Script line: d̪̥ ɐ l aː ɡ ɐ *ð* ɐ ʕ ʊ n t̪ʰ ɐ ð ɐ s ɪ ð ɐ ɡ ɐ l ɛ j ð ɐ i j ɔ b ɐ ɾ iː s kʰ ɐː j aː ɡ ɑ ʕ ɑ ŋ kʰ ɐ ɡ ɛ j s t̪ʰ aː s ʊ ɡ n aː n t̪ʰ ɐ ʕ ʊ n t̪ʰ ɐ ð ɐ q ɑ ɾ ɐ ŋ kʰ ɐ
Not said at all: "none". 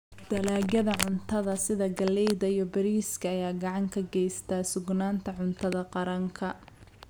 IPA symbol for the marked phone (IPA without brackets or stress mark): ð